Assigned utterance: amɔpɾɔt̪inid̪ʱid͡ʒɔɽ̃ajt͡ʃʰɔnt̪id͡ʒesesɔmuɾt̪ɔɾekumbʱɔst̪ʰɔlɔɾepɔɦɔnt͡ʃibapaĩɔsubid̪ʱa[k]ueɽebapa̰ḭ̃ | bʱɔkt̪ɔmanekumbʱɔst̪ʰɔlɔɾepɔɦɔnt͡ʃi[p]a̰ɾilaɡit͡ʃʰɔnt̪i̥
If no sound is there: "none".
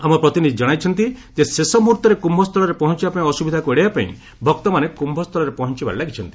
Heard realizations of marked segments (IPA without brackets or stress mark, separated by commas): k, b